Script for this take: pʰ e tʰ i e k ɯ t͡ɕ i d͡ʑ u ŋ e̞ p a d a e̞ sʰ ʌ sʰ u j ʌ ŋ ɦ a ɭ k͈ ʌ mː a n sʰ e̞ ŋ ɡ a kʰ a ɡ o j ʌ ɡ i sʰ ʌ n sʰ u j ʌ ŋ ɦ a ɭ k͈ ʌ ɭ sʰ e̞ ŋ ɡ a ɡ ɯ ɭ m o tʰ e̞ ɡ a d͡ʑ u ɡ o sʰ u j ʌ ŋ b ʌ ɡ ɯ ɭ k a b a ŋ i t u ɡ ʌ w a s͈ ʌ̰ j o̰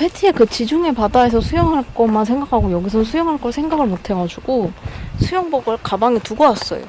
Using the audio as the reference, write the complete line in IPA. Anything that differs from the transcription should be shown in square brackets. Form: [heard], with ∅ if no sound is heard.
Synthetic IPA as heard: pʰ e tʰ i e k ɯ t͡ɕ i d͡ʑ u ŋ e̞ p a d a e̞ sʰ ʌ sʰ u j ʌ ŋ ɦ a ɭ k͈ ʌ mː a n sʰ e̞ ŋ ɡ a kʰ a ɡ o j ʌ ɡ i sʰ ʌ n sʰ u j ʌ ŋ ɦ a ɭ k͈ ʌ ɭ sʰ e̞ ŋ ɡ a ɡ ɯ ɭ m o tʰ e̞ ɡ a d͡ʑ u ɡ o sʰ u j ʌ ŋ b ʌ ɡ ɯ ɭ k a b a ŋ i t u ɡ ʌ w a s͈ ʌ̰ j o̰